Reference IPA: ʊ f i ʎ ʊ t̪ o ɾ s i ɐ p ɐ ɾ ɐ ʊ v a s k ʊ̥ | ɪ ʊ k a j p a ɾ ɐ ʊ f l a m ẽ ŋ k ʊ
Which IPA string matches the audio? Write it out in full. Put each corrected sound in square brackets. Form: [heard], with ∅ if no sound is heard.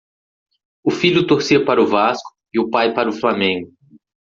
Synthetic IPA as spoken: ʊ f i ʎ ʊ t̪ o ɾ s i ɐ p [a] ɾ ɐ ʊ v a s k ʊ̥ | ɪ ʊ [p] a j p a ɾ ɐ ʊ f l a m ẽ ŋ [ɡ] ʊ